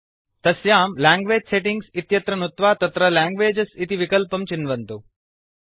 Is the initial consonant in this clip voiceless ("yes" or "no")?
yes